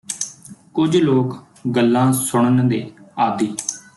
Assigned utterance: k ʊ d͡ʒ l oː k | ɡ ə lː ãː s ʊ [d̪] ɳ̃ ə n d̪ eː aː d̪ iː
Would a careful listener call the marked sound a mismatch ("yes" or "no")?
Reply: yes